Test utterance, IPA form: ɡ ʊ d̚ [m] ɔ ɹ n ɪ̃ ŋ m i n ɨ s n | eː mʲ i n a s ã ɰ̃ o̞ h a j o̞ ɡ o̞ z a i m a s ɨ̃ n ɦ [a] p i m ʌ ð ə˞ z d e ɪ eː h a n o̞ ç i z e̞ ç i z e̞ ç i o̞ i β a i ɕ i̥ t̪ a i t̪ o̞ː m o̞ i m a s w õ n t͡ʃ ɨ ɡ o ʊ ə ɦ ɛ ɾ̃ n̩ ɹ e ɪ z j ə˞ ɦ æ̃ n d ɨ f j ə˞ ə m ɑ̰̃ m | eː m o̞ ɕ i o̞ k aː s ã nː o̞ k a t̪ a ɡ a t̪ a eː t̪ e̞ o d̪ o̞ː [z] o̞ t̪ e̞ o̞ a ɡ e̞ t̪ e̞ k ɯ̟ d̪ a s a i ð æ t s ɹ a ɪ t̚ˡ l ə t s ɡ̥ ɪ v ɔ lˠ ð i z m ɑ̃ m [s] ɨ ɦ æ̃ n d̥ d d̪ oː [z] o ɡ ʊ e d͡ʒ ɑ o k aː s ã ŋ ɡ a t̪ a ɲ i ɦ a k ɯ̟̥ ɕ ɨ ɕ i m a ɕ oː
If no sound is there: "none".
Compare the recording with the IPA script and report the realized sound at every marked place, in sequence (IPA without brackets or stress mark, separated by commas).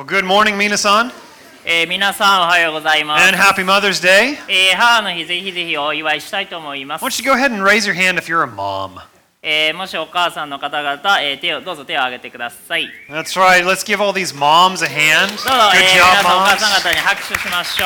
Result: m, æ, z, z, z